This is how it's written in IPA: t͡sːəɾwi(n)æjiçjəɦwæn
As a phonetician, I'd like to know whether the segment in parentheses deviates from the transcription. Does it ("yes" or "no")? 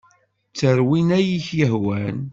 no